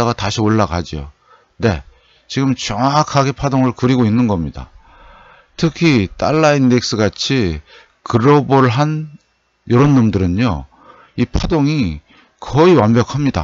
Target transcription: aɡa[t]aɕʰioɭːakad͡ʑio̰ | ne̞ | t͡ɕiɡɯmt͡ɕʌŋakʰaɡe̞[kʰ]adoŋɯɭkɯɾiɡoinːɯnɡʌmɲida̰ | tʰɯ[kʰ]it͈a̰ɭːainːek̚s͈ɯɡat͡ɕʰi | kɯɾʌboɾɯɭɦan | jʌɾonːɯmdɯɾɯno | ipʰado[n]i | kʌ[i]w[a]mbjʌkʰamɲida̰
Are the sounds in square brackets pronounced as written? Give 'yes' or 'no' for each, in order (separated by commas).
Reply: yes, no, yes, no, yes, yes